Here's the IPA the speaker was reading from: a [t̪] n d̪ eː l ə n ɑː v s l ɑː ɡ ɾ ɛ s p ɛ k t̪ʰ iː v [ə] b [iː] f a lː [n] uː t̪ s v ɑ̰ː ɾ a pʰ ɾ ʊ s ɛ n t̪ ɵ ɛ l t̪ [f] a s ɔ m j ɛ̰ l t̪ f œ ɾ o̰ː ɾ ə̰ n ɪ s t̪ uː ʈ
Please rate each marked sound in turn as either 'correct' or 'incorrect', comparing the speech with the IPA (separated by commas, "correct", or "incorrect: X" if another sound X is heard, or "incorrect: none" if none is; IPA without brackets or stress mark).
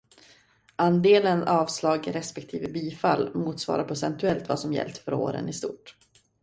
incorrect: none, correct, correct, incorrect: m, incorrect: v